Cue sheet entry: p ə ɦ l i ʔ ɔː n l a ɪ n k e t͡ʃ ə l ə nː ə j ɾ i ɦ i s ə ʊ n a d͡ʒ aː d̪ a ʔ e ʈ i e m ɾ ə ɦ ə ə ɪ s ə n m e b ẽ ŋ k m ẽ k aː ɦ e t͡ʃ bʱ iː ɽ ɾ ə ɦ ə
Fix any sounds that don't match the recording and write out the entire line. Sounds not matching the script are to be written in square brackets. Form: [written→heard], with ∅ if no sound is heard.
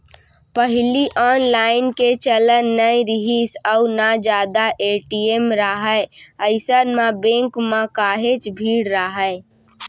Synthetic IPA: p ə ɦ l i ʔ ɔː n l a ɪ n k e t͡ʃ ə l ə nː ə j ɾ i ɦ i s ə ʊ n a d͡ʒ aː d̪ a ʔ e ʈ i e m ɾ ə ɦ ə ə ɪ s ə n m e b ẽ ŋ k m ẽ k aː ɦ e t͡ʃ bʱ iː ɽ ɾ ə ɦ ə